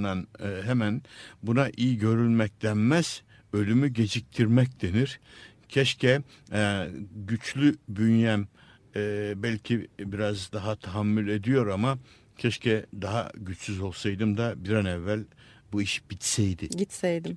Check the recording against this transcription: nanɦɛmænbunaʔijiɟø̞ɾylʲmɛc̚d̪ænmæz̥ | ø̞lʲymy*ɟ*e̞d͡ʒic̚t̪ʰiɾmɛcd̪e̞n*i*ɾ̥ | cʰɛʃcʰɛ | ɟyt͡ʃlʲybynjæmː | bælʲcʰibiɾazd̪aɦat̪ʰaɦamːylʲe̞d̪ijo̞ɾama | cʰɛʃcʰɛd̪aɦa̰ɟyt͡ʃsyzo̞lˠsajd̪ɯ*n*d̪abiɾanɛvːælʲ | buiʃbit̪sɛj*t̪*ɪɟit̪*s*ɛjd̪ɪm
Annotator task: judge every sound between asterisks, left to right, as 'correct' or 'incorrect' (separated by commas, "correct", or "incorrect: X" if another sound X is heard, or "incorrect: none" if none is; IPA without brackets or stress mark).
correct, correct, incorrect: m, incorrect: d̪, correct